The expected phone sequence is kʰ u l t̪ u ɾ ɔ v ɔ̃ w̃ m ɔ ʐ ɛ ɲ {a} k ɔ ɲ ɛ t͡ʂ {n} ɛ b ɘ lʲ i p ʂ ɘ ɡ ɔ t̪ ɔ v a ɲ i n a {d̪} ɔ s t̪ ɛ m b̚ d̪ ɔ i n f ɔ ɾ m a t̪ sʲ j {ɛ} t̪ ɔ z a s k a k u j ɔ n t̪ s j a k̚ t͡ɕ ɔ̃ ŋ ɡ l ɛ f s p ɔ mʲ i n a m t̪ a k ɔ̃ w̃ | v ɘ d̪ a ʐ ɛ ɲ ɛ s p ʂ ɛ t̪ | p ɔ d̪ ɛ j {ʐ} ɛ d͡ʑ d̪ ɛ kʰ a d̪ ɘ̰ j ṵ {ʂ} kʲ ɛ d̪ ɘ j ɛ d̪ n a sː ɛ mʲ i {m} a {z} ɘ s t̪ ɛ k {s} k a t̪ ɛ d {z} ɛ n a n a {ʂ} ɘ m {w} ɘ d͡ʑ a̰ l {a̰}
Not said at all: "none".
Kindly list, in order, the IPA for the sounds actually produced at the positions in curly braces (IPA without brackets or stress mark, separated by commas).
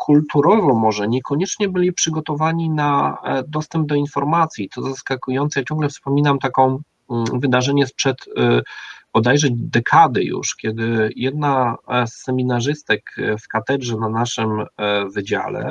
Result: ɛ, ɲ, d̪, i, ʐ, ʂ, n, ʐ, f, ʐ, ʂ, v, ɛ̰